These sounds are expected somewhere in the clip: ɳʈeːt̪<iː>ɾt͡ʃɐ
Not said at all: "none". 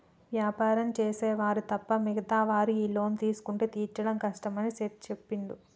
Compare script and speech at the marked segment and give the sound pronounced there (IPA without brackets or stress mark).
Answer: iː